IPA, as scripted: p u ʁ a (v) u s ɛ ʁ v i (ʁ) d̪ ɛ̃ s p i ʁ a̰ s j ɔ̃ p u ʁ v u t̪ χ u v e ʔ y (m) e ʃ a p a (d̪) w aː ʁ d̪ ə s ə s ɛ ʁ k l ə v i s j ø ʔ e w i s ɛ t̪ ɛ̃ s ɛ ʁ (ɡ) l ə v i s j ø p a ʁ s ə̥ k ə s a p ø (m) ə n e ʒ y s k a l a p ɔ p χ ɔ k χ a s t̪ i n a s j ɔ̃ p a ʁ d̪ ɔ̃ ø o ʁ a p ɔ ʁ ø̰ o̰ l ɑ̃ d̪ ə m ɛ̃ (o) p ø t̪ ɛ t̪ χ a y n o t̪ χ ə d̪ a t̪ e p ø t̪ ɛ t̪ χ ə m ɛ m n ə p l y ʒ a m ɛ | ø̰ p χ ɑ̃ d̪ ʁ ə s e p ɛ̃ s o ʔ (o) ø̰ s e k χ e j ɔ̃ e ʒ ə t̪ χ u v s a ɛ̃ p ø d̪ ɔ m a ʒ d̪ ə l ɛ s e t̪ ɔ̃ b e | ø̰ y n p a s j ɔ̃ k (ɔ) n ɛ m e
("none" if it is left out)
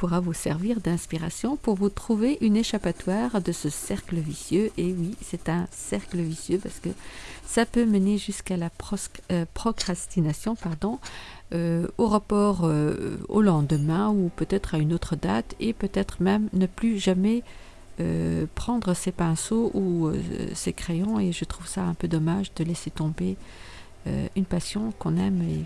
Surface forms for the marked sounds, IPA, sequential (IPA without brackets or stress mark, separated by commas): v, ʁ, n, t̪, k, m, u, u, ɔ̃